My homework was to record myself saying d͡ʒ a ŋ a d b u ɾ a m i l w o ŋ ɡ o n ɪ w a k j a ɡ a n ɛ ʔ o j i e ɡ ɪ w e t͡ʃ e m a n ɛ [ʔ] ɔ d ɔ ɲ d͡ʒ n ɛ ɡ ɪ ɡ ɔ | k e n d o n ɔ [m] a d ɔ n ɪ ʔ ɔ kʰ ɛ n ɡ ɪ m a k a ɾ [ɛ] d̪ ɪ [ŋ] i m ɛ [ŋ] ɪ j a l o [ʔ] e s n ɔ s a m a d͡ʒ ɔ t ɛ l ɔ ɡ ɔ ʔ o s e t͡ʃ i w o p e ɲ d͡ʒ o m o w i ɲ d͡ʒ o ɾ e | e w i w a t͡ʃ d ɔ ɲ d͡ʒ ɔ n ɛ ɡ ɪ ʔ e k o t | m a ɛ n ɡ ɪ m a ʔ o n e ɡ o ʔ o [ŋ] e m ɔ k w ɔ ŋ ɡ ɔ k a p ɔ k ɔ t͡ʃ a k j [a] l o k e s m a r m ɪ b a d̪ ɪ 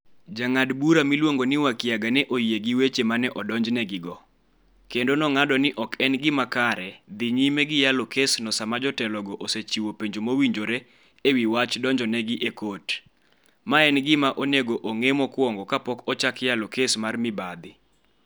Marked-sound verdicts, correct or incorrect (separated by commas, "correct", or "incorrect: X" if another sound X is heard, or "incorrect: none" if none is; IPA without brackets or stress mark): correct, incorrect: ŋ, correct, incorrect: ɲ, incorrect: ɡ, incorrect: k, correct, correct